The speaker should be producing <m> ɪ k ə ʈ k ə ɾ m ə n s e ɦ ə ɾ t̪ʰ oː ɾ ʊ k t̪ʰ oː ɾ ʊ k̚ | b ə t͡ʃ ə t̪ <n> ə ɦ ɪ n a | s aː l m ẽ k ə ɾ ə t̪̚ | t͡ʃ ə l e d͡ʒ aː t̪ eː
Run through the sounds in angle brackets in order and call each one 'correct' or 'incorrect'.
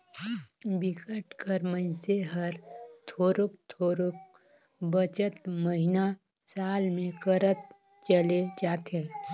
incorrect: b, incorrect: m

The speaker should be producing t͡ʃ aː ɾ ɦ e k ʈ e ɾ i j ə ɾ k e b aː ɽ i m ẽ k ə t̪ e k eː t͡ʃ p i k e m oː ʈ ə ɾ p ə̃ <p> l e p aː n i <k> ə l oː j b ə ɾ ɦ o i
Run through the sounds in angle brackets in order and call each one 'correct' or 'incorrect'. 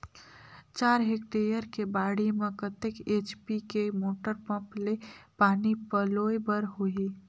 correct, incorrect: p

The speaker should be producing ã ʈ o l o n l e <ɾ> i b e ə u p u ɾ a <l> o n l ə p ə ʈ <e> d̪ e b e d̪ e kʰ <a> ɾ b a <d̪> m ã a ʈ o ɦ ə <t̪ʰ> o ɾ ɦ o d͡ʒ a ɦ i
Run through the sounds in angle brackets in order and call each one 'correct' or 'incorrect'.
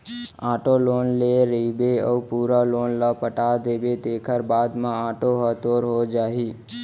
correct, correct, incorrect: a, incorrect: ə, correct, incorrect: t̪

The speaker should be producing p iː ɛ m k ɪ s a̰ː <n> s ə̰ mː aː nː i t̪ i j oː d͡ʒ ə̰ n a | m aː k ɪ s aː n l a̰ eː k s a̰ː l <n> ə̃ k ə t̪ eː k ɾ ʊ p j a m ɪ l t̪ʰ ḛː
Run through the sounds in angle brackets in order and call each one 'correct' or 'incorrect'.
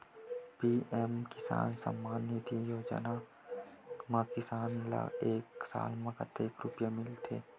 correct, incorrect: m

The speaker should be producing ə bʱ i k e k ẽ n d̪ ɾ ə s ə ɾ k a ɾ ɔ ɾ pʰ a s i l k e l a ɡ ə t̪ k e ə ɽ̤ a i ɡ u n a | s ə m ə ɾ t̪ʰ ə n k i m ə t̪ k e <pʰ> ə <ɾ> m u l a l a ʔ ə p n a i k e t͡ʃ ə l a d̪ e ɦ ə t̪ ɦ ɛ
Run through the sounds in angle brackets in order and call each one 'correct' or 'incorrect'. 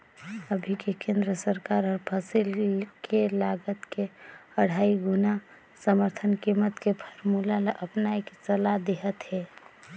correct, correct

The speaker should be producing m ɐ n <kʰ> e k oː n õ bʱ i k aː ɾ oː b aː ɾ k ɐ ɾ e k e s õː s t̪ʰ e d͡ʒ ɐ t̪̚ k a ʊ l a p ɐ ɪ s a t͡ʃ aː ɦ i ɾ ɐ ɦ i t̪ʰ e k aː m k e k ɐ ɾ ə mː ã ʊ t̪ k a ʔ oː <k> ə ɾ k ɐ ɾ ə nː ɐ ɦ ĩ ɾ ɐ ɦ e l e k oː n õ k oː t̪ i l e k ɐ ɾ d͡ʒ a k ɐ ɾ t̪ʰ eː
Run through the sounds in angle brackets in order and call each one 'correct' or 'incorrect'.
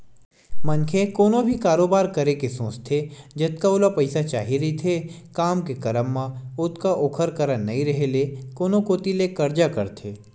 correct, incorrect: kʰ

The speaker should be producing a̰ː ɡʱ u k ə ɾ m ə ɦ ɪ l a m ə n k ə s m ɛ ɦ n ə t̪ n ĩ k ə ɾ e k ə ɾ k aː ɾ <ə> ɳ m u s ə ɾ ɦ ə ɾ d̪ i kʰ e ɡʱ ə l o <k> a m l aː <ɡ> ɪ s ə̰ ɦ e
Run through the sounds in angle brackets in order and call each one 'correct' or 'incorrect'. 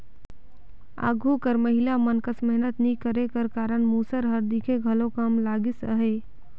correct, correct, correct

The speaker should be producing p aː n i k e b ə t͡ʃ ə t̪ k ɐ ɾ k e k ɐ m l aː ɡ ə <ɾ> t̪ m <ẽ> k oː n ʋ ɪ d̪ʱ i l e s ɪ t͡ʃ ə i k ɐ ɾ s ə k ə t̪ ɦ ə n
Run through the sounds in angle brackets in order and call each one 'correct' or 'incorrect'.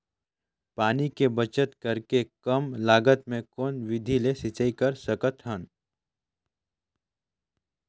incorrect: none, correct

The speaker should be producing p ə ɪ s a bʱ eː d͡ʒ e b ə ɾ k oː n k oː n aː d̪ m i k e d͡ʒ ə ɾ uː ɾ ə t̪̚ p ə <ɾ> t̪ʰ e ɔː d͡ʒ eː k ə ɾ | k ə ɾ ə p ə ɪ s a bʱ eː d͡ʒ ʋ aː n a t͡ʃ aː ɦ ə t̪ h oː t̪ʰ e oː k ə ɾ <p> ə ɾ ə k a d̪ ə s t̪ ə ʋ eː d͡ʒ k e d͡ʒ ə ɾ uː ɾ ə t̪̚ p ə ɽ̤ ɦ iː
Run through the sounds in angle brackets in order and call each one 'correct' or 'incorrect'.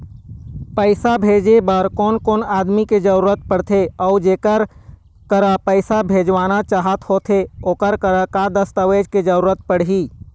incorrect: ɽ, incorrect: k

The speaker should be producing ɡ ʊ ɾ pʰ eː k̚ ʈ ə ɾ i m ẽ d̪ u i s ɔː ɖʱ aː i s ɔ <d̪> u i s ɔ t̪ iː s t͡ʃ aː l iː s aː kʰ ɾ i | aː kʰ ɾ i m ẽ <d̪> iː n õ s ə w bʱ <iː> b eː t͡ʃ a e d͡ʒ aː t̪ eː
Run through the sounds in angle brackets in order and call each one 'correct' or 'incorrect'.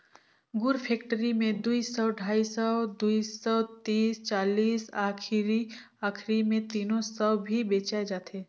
correct, incorrect: t̪, incorrect: i

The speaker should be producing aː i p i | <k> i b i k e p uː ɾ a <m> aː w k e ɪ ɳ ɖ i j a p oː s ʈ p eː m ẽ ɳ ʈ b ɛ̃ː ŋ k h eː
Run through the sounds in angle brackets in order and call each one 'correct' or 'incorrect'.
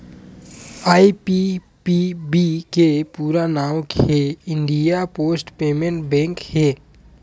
incorrect: p, incorrect: n

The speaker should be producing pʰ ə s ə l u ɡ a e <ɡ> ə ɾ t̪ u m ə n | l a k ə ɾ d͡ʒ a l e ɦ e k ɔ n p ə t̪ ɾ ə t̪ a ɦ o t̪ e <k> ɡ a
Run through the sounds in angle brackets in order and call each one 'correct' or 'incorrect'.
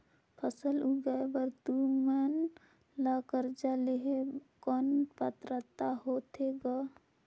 incorrect: b, incorrect: none

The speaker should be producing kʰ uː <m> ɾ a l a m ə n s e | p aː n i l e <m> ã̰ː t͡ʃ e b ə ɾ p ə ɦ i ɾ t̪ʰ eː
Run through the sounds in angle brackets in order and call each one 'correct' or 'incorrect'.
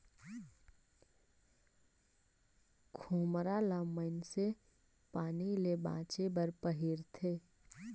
correct, incorrect: b

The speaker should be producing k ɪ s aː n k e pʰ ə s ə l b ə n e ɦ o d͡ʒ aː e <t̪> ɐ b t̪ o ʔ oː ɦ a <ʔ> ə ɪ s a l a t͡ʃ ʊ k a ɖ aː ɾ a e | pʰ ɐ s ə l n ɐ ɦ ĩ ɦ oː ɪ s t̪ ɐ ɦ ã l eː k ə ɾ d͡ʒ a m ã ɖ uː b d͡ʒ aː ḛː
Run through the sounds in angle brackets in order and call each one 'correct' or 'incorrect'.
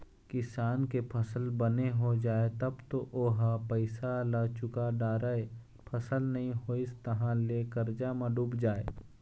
correct, incorrect: p

